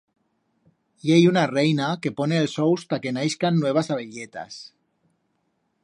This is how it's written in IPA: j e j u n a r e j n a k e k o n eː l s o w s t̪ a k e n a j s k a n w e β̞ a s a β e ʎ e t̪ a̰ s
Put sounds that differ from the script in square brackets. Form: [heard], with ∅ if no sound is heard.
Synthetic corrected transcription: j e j u n a r e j n a k e [p] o n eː l s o w s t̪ a k e n a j s k a [nː] w e β̞ a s a β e ʎ e t̪ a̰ s